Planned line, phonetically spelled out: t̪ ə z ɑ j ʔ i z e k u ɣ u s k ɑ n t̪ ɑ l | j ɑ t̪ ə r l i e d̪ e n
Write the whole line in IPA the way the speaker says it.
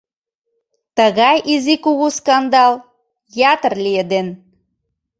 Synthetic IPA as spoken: t̪ ə ɣ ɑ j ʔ i z i k u ɣ u s k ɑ n d̪ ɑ l | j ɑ t̪ ə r l i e d̪ e n